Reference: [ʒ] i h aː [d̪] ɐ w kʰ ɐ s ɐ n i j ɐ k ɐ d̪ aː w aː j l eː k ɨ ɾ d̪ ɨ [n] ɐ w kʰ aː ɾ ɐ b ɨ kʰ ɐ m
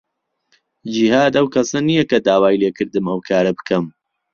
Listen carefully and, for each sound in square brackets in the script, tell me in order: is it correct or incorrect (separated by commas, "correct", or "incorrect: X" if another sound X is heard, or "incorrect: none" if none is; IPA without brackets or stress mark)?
incorrect: d͡ʒ, correct, incorrect: m